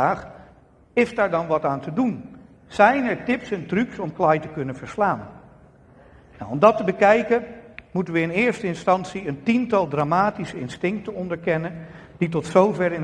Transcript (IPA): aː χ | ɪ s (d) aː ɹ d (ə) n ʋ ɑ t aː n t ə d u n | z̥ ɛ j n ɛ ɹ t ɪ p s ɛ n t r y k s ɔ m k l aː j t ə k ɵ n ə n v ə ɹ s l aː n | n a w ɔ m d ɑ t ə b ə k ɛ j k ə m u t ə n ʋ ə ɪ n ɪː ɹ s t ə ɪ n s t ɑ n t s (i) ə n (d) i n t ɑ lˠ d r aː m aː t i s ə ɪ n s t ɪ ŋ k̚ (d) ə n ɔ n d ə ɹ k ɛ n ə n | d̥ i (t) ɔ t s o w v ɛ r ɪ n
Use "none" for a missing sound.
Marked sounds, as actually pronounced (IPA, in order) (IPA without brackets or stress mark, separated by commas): d, ɑ, i, t, t, t